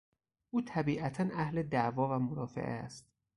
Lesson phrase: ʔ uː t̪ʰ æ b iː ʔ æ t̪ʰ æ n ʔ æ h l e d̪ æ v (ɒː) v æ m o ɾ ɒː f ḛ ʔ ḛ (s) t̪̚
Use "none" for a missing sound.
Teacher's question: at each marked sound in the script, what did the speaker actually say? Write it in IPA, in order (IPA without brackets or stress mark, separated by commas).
ɒː, s